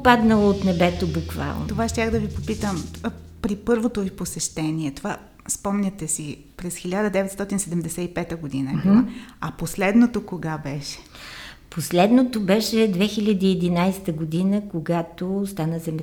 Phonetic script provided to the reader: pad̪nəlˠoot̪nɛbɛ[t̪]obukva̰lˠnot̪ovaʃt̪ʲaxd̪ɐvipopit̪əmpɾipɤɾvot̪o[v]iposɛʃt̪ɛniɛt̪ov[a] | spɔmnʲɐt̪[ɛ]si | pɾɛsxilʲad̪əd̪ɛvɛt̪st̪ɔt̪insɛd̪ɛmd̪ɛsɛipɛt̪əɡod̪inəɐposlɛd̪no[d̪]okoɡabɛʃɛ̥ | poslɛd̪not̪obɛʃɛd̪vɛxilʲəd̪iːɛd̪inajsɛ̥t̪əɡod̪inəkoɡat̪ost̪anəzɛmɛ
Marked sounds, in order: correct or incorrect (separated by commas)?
correct, correct, correct, correct, incorrect